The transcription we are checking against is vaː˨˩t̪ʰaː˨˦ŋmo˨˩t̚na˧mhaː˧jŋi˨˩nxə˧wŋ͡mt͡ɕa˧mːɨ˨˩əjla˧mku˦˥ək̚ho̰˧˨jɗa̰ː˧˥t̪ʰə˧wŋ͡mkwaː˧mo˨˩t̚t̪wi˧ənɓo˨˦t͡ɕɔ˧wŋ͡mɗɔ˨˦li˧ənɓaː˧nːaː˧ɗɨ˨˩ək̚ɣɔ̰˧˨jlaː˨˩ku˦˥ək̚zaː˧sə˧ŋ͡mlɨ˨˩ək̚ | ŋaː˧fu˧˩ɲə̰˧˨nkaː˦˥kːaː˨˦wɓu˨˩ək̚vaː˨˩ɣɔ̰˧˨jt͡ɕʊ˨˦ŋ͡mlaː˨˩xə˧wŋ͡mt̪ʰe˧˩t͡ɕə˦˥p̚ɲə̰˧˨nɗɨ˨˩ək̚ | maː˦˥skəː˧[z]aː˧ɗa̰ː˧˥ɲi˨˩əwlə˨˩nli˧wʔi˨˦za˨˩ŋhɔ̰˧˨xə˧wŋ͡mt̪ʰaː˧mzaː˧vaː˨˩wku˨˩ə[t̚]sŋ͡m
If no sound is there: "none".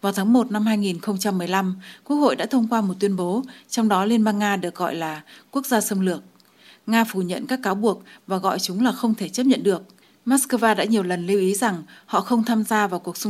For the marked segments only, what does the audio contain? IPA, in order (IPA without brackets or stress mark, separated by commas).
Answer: v, k̚